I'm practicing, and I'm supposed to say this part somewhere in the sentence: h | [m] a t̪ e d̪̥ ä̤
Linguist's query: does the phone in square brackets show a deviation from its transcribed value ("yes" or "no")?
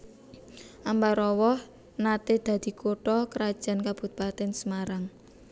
yes